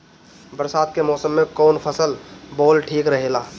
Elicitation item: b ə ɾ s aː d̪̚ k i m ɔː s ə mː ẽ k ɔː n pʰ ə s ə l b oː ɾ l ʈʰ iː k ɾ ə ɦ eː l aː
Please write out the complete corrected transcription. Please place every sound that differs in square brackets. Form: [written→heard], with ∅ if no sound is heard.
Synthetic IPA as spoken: b ə ɾ s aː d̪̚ k [i→e] m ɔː s ə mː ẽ k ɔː n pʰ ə s ə l b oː [ɾ→∅] l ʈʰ iː k ɾ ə ɦ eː l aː